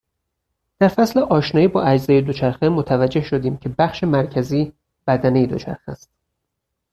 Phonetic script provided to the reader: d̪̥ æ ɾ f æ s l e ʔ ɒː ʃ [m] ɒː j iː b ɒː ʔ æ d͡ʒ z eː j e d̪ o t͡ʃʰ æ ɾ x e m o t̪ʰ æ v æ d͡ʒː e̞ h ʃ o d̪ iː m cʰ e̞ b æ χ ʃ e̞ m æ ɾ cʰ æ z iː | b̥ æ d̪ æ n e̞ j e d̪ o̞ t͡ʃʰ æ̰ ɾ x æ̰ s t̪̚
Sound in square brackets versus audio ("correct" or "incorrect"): incorrect